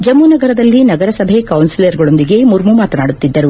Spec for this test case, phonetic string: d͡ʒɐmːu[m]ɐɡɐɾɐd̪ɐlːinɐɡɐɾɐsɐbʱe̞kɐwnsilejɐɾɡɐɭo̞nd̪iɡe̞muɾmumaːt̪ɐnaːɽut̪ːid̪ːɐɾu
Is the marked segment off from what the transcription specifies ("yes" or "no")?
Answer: yes